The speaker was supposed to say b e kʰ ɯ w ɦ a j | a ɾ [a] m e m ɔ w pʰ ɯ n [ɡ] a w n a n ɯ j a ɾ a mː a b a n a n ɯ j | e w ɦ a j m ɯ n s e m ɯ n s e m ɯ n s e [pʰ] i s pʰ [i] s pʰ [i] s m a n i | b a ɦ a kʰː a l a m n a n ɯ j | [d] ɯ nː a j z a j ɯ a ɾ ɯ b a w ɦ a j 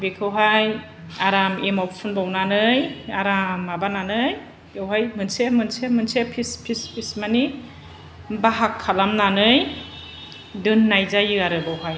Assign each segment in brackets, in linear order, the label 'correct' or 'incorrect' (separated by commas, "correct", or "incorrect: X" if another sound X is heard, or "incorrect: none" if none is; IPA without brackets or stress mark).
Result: correct, incorrect: b, correct, correct, correct, correct